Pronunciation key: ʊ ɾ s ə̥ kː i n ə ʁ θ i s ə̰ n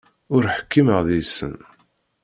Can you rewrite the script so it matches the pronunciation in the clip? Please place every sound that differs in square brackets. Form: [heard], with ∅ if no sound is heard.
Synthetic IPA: ʊ ɾ [ħ] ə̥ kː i [m] ə ʁ [ð] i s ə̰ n